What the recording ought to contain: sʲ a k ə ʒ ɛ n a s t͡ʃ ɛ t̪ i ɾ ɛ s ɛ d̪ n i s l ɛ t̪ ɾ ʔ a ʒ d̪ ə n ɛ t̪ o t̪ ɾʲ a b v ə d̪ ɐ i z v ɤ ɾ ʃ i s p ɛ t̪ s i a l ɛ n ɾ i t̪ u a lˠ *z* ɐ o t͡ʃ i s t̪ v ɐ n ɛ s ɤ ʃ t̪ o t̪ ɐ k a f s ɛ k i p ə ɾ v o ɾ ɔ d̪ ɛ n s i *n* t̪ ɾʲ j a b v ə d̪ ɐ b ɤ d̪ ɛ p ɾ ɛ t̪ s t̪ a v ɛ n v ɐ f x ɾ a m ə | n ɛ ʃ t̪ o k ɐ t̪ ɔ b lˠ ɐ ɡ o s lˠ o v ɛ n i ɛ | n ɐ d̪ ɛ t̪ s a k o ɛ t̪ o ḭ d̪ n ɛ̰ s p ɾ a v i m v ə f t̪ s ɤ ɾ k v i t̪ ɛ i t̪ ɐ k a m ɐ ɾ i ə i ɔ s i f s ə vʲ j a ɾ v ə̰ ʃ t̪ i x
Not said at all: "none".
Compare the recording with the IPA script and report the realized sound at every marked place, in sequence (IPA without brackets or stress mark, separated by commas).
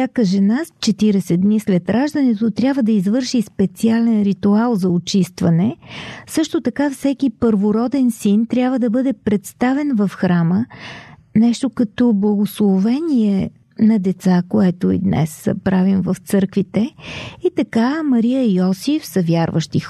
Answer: z, n